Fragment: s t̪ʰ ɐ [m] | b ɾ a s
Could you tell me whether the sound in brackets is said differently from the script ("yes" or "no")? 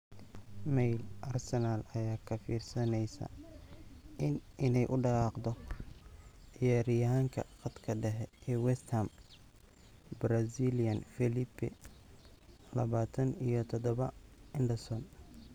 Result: no